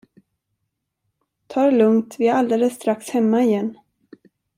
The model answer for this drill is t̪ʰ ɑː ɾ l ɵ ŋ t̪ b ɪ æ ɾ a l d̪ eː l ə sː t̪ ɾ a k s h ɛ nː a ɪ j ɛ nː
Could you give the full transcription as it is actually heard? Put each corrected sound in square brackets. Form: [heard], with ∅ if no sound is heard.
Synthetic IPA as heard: t̪ʰ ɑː ɾ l ɵ ŋ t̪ [v] ɪ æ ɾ a l d̪ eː l ə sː t̪ ɾ a k s h ɛ [mː] a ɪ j ɛ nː